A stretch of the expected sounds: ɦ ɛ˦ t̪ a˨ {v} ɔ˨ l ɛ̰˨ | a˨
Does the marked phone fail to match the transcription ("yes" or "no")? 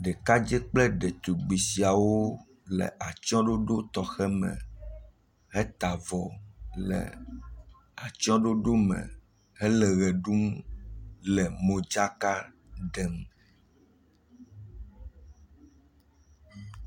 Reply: no